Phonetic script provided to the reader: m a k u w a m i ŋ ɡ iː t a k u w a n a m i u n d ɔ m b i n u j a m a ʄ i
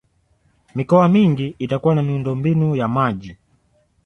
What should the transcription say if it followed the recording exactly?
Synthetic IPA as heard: m i k ɔ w a m i ŋ ɡ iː t a k u w a n a m i u n d ɔ m b i n u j a m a ʄ i